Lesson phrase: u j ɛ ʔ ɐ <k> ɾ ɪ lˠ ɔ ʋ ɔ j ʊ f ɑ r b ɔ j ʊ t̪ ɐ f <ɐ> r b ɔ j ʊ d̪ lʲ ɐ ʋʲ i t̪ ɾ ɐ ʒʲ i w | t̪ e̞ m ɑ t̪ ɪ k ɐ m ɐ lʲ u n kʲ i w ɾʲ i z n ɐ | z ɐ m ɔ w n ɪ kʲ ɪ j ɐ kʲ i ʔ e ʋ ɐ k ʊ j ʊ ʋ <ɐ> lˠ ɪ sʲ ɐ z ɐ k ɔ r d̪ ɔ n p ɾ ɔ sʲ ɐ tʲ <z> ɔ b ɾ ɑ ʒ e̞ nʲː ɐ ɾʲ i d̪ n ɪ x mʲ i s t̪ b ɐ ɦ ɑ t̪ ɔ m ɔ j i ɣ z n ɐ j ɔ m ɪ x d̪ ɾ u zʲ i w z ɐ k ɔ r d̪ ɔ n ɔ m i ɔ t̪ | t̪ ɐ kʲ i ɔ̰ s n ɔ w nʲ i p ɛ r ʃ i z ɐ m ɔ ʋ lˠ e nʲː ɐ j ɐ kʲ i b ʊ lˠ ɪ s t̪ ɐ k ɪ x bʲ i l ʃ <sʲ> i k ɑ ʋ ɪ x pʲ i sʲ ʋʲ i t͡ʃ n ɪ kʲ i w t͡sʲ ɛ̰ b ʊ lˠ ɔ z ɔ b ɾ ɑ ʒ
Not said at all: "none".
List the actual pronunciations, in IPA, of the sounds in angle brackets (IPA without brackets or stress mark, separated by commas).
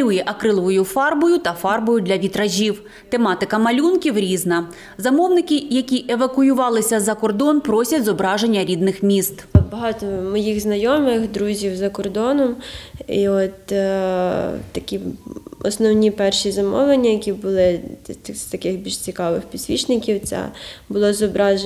k, ɑ, ɑ, z, t͡sʲ